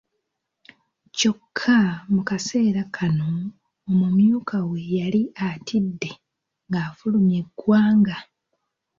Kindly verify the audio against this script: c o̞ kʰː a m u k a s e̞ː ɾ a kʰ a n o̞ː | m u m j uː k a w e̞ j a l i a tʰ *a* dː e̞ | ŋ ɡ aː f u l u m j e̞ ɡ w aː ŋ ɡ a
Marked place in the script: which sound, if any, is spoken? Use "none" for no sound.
i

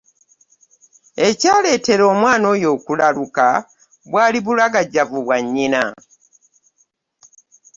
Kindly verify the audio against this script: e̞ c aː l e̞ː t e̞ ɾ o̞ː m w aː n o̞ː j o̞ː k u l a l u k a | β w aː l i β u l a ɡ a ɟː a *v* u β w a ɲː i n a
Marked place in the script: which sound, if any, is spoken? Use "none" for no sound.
v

